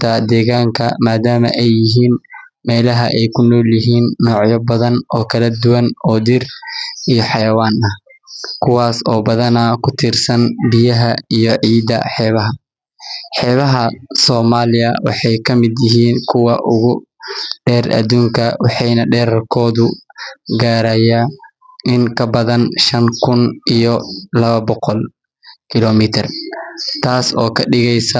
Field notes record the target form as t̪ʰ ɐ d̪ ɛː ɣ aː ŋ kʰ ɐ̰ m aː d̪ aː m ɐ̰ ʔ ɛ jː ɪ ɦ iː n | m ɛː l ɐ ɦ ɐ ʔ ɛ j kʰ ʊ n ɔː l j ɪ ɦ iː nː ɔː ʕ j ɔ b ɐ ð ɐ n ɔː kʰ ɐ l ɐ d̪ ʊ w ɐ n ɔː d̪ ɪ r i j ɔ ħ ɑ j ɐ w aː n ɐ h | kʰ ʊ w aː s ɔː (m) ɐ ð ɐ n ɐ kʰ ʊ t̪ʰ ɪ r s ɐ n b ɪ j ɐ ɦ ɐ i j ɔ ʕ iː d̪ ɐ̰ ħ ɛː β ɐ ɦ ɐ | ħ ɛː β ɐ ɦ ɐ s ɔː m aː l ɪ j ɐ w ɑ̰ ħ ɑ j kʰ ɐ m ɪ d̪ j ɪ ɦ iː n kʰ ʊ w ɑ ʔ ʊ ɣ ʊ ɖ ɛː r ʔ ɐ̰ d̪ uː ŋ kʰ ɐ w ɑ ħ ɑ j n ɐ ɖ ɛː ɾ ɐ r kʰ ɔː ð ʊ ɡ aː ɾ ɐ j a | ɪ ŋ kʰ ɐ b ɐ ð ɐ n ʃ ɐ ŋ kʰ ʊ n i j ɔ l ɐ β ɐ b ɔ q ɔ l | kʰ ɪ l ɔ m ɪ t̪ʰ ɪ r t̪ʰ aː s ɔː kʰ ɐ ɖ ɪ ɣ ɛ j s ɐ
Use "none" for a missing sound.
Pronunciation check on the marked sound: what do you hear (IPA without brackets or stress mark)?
b